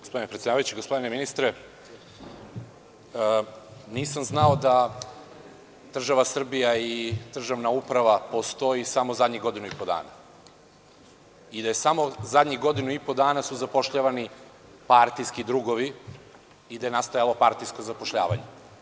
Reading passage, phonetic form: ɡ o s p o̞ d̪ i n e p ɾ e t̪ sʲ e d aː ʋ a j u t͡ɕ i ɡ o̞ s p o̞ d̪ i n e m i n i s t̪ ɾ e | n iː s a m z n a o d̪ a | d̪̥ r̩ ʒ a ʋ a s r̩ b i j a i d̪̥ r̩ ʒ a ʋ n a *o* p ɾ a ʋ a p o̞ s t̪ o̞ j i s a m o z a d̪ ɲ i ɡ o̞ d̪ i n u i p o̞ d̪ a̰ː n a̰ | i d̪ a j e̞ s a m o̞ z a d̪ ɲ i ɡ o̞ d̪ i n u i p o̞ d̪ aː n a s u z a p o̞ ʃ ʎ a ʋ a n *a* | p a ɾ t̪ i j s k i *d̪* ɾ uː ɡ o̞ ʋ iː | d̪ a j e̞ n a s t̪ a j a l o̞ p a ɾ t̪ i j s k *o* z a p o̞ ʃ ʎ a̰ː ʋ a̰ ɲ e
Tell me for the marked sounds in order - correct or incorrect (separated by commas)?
incorrect, incorrect, correct, correct